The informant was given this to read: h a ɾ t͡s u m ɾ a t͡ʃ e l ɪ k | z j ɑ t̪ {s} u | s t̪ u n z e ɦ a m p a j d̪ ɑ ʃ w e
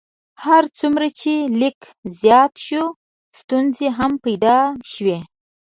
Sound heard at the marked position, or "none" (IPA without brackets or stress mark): ʃ